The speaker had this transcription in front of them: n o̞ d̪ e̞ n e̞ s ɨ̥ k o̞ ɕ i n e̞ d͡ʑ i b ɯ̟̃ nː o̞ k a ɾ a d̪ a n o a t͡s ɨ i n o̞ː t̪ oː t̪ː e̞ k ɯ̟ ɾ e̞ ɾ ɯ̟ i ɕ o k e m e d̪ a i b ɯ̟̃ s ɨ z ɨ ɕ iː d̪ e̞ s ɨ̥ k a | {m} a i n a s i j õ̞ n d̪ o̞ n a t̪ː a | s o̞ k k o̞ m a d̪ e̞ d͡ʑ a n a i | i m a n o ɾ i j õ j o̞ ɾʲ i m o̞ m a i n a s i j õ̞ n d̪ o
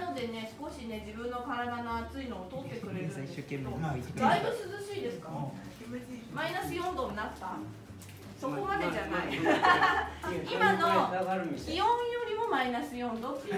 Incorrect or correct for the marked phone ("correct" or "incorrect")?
correct